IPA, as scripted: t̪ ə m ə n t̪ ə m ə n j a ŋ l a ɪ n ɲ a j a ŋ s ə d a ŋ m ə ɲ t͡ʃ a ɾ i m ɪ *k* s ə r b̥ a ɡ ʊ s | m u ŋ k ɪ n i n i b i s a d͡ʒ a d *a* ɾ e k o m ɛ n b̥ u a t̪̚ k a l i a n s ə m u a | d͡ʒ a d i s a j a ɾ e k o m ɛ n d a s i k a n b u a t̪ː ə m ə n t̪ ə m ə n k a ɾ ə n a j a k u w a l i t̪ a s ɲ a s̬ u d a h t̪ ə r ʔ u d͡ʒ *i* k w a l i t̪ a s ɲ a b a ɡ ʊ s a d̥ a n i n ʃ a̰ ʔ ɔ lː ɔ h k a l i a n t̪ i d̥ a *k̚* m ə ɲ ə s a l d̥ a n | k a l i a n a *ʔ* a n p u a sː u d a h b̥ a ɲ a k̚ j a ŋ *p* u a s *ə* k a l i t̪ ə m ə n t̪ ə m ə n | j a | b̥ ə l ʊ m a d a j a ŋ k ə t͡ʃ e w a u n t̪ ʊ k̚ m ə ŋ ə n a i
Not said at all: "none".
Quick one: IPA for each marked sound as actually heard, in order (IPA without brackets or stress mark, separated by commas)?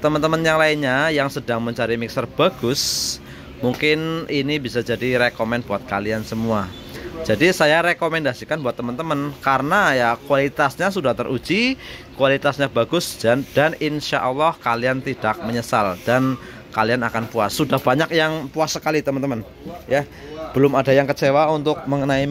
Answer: k, i, i, k̚, k, p, ə